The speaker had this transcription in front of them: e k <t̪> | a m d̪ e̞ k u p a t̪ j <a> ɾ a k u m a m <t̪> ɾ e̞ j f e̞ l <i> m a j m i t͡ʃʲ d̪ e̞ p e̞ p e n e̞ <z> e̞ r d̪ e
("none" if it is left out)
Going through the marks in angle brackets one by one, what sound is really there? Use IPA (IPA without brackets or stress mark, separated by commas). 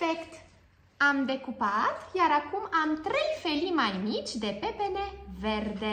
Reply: t̪, a, t̪, i, v